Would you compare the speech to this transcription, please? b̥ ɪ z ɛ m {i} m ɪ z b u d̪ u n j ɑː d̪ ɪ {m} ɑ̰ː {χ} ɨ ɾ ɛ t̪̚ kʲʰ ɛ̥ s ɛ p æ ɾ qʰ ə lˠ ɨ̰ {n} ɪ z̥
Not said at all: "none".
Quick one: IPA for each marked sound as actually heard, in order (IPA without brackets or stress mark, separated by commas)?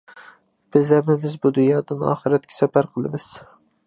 ɪ, n, χ, m